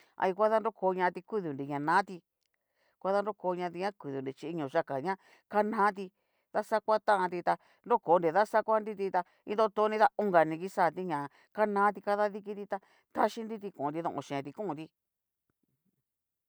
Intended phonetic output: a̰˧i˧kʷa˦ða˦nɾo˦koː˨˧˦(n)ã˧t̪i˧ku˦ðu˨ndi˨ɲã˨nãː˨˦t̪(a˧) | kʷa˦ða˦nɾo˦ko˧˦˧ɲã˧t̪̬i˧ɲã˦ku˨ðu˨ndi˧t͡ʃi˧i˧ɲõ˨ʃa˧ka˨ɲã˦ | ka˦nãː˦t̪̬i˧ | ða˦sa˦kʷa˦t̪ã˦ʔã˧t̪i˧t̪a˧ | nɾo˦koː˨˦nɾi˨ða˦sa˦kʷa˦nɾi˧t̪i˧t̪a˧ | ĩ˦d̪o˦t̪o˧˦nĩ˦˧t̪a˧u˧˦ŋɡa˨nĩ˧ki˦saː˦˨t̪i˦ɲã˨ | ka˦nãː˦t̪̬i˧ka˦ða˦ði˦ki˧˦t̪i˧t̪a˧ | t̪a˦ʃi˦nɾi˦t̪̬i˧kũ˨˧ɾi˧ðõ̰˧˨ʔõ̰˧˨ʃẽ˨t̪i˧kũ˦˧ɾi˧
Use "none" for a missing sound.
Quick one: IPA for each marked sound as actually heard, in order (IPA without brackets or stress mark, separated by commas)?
ɲ, i˧